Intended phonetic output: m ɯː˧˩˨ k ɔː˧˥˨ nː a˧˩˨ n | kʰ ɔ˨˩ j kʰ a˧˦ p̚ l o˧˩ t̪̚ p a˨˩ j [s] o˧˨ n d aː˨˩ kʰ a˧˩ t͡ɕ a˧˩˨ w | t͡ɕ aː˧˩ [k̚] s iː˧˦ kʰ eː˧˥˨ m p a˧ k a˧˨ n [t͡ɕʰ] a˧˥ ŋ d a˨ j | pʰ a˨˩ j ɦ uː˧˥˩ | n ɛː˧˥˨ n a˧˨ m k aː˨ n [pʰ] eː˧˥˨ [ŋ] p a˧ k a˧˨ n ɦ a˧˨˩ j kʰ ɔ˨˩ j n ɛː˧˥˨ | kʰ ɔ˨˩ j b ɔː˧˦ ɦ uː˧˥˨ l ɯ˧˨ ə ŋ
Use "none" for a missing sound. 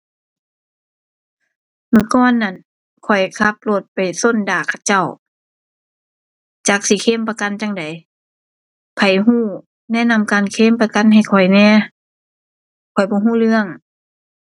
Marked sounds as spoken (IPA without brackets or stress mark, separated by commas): s, k̚, t͡ɕ, kʰ, m